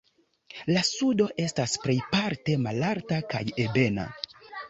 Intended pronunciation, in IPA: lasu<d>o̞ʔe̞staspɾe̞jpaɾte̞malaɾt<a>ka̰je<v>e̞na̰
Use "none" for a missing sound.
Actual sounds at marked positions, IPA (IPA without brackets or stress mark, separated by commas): d, a, b